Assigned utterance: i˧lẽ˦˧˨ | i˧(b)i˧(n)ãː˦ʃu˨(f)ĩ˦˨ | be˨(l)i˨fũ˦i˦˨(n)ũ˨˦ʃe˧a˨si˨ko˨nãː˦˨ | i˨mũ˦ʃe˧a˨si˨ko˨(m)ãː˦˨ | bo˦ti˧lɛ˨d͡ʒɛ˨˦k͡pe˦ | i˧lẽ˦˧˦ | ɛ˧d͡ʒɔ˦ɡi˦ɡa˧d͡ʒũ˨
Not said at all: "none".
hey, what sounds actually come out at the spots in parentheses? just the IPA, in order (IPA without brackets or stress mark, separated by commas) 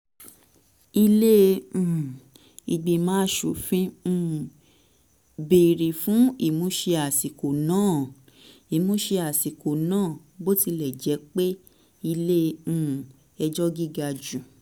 ɡ͡b, m, f, ɾ, m, n